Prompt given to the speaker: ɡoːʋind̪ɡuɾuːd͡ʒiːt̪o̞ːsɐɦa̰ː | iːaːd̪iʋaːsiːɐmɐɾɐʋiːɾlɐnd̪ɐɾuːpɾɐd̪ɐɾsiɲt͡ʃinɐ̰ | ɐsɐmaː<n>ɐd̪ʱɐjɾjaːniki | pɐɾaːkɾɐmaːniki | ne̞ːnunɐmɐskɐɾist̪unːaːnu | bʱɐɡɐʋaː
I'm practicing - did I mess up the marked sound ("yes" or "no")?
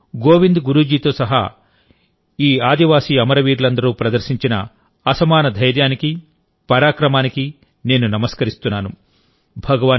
no